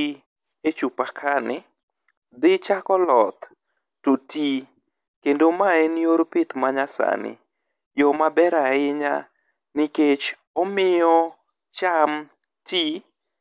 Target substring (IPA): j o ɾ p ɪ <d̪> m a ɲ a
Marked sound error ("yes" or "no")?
yes